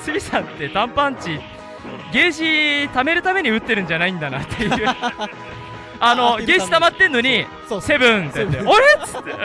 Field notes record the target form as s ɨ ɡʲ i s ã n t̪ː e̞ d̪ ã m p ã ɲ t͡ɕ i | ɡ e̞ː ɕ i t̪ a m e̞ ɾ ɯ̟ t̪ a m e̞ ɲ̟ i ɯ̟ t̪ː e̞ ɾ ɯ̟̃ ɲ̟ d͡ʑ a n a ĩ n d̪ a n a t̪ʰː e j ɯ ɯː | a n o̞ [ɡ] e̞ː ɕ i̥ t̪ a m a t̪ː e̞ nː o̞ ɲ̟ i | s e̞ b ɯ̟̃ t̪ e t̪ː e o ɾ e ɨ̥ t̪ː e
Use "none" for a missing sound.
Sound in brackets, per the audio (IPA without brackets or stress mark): ɡ